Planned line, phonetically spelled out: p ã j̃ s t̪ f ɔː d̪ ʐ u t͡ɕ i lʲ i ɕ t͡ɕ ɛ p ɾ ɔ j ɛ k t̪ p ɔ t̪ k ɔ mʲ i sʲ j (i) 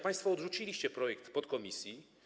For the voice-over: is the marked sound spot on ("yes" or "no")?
yes